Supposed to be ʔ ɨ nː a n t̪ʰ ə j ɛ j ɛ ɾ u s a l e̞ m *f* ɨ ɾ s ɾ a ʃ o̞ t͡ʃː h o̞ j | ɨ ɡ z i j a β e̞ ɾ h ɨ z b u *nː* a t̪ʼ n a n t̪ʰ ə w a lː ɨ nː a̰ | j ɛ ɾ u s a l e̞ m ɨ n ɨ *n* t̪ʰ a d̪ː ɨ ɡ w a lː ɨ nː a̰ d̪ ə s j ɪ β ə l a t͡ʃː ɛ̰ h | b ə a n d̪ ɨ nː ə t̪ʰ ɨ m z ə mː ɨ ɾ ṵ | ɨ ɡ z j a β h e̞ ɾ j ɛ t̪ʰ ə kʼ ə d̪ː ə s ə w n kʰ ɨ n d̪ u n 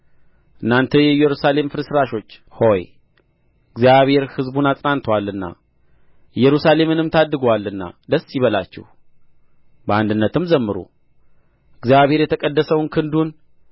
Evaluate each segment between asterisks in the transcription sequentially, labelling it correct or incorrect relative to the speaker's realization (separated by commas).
correct, incorrect, incorrect